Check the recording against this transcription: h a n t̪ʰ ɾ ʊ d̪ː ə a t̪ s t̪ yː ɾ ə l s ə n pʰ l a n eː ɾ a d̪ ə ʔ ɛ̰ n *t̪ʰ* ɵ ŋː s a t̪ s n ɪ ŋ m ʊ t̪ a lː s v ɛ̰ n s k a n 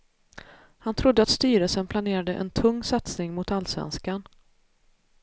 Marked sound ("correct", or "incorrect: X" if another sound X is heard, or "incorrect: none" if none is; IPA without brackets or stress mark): correct